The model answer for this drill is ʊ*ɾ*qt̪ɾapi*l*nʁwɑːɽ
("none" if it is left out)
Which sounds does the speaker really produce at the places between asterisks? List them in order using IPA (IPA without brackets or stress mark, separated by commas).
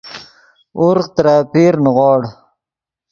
ɾ, ɾ